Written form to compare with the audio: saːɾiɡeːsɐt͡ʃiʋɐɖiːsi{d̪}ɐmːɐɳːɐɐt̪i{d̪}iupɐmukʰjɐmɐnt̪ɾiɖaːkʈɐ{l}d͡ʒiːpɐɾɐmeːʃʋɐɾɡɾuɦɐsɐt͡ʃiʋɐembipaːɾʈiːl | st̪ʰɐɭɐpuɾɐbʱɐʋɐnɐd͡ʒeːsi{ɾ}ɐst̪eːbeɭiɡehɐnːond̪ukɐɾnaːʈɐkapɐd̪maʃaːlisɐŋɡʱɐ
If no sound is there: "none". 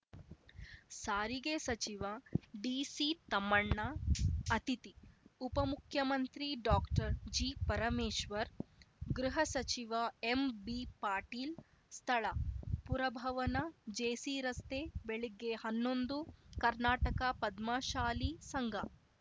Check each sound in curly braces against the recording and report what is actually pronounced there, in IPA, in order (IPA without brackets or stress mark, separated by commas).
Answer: t̪, t̪, ɾ, ɾ